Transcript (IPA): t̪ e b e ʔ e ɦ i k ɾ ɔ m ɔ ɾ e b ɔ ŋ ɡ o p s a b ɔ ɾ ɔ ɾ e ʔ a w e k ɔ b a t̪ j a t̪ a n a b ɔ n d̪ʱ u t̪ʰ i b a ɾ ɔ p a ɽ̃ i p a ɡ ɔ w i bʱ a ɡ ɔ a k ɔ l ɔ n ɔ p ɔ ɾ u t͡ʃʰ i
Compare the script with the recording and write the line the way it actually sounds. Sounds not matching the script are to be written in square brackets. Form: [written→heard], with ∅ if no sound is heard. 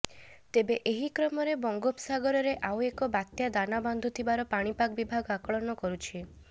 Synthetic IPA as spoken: t̪ e b e ʔ e ɦ i k ɾ ɔ m ɔ ɾ e b ɔ ŋ ɡ o p s a [b→ɡ] ɔ ɾ ɔ ɾ e ʔ a w e k ɔ b a t̪ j a [t̪→d̪] a n a b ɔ n d̪ʱ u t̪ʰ i b a ɾ ɔ p a ɽ̃ i p a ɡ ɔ [w→b] i bʱ a ɡ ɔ a k ɔ [l→ɭ] ɔ n ɔ [p→k] ɔ ɾ u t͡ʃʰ i